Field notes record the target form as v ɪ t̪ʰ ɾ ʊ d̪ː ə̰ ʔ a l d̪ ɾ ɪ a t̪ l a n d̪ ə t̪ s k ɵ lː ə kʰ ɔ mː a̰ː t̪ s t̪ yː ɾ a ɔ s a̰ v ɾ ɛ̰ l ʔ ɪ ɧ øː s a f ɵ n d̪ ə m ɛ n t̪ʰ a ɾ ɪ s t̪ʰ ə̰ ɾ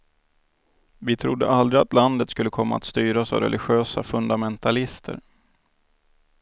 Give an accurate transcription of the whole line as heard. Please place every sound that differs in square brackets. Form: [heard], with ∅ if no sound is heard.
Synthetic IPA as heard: v ɪ t̪ʰ ɾ ʊ d̪ː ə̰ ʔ a l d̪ ɾ ɪ a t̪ l a n d̪ ə t̪ s k ɵ lː ə kʰ ɔ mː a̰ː t̪ s t̪ yː ɾ a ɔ s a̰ v ɾ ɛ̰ l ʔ ɪ ɧ øː s a f ɵ n d̪ [a] m ɛ n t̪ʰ a [l] ɪ s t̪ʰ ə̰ ɾ